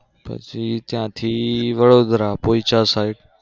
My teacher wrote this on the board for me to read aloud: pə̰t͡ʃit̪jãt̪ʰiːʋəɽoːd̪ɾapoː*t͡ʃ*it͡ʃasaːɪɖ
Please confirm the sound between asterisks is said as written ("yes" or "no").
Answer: no